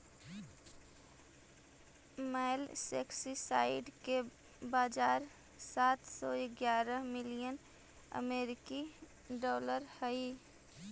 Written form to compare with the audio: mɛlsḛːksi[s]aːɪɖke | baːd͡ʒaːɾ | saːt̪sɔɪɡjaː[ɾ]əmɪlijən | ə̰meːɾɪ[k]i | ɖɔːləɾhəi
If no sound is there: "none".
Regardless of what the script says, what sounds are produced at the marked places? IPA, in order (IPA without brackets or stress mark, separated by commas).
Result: s, ɾ, k